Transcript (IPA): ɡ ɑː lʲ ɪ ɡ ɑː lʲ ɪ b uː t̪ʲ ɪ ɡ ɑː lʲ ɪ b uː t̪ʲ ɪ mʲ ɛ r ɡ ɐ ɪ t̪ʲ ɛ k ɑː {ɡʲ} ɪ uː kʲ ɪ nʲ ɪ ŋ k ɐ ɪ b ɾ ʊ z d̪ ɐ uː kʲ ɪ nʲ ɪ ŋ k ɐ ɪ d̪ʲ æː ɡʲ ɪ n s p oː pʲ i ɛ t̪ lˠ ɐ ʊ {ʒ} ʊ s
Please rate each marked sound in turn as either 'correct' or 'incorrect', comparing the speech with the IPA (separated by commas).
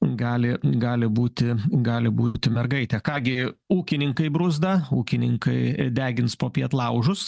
correct, correct